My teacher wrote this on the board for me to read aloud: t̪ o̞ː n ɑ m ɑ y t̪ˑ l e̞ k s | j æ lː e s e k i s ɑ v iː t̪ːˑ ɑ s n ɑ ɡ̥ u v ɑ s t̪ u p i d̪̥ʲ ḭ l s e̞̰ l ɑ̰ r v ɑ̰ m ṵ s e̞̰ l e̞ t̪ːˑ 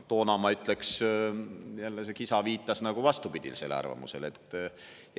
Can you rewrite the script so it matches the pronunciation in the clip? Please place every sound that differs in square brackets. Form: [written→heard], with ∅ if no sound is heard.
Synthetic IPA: t̪ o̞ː n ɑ m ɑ y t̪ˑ l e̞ k s | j æ lː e s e k i s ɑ v iː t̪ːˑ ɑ s n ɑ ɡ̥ u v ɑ s t̪ u p i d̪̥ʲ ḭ l s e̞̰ l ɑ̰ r v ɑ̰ m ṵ s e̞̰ l e̞ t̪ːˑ